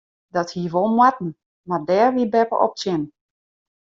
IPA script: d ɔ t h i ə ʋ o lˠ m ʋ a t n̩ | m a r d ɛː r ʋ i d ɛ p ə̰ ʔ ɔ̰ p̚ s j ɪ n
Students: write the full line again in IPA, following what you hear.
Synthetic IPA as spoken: d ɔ t h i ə ʋ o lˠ m w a t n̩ | m a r d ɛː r ʋ i b ɛ p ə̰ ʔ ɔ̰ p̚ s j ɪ n